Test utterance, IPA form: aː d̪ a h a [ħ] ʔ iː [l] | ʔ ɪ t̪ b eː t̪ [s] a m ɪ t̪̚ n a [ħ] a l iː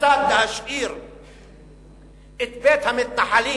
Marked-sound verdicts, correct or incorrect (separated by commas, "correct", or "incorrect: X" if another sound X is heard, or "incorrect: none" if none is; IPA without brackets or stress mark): incorrect: ʃ, incorrect: ɾ, incorrect: h, correct